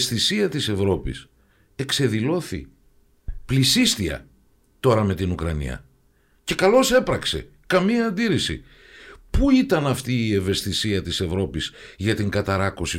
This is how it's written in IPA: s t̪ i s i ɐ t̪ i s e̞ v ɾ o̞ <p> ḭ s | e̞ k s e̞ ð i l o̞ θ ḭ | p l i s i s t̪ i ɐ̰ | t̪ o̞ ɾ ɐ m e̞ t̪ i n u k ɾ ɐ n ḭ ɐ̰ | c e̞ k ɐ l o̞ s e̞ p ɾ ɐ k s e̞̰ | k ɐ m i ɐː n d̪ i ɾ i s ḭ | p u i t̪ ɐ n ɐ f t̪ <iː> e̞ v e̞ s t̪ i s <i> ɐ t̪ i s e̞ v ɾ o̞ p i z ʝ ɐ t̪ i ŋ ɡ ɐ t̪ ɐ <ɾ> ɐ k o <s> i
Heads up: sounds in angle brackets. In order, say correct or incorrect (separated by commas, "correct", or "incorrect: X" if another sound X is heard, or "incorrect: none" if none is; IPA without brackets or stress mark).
correct, correct, correct, correct, correct